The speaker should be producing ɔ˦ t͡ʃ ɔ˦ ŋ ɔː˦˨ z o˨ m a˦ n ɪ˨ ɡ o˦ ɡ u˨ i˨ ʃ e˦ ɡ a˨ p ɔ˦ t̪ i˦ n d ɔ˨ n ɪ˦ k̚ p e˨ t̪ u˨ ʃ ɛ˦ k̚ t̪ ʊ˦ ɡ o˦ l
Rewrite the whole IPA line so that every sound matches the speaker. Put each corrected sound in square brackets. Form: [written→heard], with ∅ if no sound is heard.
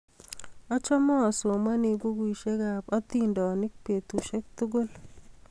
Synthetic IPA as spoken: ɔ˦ t͡ʃ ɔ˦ [ŋ→m] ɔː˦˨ [z→s] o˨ m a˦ n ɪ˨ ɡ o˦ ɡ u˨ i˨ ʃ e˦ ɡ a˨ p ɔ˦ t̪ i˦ n d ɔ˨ n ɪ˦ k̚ p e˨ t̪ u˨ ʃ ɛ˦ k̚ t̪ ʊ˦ ɡ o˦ l